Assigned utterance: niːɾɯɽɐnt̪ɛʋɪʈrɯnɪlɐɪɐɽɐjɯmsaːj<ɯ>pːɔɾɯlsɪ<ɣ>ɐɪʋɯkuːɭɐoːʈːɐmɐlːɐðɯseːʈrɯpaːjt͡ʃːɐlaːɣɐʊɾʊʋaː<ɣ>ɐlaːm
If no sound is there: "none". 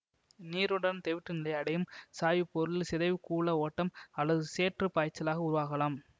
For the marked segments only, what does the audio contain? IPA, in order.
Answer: ɯ, ð, ɣ

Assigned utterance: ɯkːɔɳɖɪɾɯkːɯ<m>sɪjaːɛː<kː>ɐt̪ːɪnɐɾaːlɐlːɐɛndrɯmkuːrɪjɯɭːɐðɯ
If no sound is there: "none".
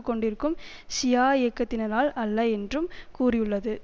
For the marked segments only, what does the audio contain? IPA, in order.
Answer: m, kː

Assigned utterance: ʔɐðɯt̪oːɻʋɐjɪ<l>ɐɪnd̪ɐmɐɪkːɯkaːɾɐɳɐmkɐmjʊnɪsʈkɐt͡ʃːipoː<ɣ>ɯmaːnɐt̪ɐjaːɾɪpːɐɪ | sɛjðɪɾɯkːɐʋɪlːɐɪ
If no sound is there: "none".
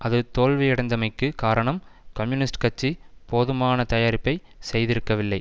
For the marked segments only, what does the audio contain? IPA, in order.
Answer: ɽ, ð

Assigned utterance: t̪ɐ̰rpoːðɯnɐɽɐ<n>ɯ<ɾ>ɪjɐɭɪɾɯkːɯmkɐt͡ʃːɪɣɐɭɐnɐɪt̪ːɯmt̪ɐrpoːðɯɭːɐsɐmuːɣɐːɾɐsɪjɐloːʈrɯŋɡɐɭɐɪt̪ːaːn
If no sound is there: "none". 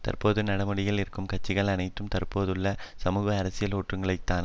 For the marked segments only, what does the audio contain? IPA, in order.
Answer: m, ɽ

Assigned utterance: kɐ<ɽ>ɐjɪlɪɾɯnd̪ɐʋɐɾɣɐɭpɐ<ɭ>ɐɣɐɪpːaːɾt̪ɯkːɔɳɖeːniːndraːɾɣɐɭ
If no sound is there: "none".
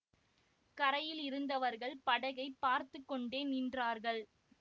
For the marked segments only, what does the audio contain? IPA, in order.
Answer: ɾ, ɽ

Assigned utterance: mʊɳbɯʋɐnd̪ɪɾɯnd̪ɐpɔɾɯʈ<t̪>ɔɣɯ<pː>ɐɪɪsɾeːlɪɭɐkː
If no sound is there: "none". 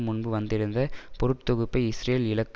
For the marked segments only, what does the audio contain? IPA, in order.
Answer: t̪, pː

